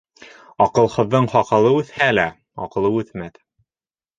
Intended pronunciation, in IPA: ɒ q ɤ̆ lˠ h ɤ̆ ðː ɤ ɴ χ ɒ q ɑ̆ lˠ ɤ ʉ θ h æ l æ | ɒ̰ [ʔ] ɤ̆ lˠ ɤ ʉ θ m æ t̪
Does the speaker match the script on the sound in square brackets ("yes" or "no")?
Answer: no